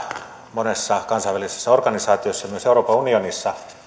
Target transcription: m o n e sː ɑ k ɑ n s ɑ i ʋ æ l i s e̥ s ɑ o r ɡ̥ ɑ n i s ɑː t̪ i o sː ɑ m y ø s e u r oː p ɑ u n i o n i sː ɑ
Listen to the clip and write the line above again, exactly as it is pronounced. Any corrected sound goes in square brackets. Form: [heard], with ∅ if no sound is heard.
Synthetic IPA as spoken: m o n e sː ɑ k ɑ n s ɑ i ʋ æ l i s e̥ [sː] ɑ o r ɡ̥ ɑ n i s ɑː t̪ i o sː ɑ m y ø s e u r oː p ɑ u n i o n i sː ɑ